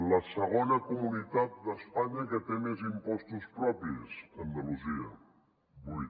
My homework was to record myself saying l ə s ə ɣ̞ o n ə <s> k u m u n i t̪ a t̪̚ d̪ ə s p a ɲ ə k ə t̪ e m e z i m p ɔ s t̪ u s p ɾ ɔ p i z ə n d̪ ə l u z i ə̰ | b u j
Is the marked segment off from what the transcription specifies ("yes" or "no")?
yes